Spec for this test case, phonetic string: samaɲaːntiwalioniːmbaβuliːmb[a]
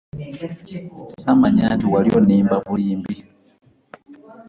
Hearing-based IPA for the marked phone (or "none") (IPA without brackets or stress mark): i